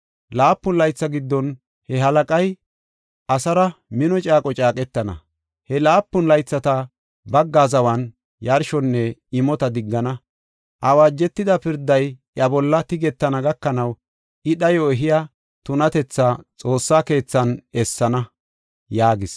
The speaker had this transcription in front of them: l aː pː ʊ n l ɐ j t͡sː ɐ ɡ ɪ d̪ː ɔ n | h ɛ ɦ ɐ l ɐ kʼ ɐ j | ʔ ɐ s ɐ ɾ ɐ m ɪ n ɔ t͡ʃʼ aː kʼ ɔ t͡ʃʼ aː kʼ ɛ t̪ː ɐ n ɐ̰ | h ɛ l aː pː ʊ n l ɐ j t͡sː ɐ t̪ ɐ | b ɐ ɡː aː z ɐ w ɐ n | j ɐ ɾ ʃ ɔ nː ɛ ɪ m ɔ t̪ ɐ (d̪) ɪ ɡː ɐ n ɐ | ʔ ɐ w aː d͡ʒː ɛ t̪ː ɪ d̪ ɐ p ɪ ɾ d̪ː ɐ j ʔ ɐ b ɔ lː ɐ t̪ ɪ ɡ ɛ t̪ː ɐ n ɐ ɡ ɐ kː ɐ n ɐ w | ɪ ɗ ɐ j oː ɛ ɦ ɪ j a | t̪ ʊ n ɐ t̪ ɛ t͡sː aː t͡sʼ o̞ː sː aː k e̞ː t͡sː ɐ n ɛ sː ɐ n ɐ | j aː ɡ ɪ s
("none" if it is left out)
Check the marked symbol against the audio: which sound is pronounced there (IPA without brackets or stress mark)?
d̪